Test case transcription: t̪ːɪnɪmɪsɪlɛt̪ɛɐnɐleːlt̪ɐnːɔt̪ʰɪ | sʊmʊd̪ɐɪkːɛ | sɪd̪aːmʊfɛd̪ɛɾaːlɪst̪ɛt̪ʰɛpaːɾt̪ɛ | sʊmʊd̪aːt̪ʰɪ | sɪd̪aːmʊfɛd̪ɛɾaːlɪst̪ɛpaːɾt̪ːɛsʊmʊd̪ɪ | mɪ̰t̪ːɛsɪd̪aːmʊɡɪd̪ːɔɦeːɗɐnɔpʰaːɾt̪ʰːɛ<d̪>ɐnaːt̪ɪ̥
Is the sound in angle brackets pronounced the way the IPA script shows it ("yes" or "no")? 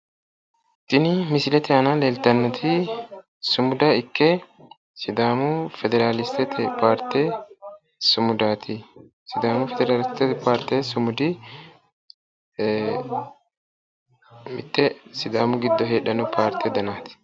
yes